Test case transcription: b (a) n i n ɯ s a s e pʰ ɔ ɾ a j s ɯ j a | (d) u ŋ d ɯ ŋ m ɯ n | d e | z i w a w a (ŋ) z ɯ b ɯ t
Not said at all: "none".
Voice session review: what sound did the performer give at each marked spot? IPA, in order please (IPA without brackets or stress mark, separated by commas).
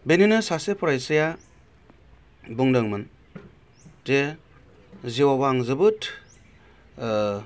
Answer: e, b, ŋ